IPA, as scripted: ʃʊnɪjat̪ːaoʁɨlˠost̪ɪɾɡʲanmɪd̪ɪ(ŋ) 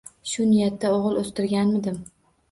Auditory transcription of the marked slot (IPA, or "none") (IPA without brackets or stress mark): m